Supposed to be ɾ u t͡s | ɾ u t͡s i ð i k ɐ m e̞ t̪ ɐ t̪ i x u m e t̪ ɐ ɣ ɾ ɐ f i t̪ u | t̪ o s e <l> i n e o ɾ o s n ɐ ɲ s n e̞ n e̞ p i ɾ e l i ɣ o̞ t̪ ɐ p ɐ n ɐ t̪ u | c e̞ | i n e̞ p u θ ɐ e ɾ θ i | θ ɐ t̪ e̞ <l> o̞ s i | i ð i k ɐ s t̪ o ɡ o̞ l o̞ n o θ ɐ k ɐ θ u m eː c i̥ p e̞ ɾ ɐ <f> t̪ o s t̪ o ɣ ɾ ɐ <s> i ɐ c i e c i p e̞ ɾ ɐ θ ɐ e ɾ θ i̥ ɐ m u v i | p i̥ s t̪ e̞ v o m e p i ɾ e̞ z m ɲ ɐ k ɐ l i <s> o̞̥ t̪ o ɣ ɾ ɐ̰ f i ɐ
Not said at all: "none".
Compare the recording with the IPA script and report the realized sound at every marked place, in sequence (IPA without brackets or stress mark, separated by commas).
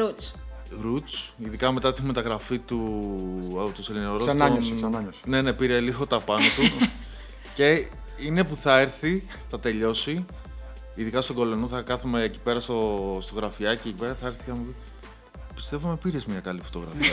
l, ʎ, s, f, f